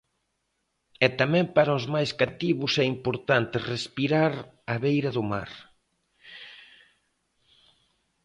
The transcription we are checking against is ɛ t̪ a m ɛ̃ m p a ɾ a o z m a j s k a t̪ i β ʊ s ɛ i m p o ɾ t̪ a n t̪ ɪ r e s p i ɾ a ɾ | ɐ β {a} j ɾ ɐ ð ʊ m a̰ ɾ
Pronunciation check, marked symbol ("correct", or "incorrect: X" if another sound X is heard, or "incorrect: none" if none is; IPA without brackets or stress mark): incorrect: e